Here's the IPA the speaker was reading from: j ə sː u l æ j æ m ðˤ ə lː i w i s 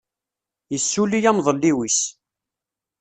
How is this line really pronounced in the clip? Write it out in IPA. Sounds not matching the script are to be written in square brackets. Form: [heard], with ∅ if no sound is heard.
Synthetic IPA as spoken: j ə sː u l [i] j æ m ðˤ ə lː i w i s

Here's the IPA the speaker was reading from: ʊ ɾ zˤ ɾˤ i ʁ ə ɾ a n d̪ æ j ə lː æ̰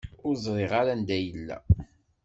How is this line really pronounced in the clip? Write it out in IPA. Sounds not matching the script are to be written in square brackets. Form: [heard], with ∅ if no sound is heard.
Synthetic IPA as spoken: ʊ ɾ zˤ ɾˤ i ʁ [a] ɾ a n d̪ æ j ə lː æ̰

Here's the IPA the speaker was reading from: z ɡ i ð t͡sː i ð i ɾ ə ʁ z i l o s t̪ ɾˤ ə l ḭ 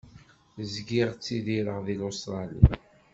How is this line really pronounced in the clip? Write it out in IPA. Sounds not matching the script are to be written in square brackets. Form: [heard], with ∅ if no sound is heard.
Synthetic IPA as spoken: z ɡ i [ʁ] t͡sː i ð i ɾ ə ʁ [ð] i l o s t̪ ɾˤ [ɑ] l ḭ

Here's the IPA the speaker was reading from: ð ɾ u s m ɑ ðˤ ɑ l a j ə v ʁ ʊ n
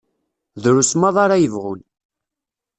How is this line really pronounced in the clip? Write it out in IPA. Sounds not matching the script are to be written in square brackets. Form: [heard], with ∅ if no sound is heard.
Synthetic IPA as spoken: ð ɾ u s m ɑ ðˤ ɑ [ɾ] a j ə v ʁ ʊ n

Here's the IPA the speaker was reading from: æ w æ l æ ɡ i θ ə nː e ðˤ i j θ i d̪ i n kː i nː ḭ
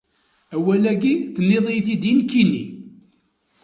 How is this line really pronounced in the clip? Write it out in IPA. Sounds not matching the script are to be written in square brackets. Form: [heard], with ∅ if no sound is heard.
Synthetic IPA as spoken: æ w æ l æ ɡ i θ ə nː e ðˤ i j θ i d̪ i n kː i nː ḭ

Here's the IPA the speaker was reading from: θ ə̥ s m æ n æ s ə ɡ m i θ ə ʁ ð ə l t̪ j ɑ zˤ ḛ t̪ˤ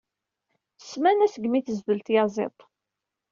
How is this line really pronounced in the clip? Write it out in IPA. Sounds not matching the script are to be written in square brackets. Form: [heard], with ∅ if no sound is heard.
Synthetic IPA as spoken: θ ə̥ s m æ n æ s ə ɡ m i θ ə [z] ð ə l t̪ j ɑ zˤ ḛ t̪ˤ

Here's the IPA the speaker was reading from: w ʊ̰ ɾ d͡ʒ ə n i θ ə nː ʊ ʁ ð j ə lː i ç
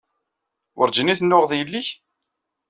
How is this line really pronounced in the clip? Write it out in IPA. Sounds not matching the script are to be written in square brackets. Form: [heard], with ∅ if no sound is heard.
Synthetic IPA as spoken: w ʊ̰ ɾ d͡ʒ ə n i θ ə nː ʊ ʁ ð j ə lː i ç

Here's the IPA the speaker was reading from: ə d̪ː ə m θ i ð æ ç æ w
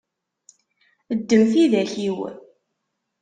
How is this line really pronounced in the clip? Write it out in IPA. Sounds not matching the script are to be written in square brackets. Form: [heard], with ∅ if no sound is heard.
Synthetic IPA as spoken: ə d̪ː ə m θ i ð æ ç [i] w

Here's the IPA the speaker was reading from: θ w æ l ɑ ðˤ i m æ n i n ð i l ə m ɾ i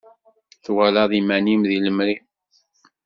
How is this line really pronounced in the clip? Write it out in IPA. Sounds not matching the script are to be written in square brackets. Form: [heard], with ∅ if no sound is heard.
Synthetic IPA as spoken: θ w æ l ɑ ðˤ i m æ n i [m] ð i l ə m ɾ i

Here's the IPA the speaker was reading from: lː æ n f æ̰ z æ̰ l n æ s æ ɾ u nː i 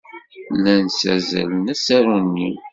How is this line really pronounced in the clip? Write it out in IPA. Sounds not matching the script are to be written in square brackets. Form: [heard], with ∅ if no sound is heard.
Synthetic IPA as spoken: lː æ n [s] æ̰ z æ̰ l n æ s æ ɾ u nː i

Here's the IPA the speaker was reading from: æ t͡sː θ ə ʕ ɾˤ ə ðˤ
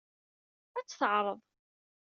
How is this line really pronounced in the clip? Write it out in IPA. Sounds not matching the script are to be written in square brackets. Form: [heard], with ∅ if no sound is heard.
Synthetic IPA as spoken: æ t͡sː θ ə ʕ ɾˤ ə ðˤ

